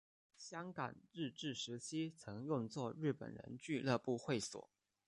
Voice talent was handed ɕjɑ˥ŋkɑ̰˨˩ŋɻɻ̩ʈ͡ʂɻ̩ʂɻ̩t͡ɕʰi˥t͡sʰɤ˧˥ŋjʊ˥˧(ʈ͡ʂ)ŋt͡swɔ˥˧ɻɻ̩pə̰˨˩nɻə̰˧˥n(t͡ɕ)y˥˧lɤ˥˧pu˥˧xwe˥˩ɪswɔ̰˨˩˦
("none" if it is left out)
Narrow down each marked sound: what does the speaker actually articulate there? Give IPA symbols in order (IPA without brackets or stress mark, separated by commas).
none, t͡ɕ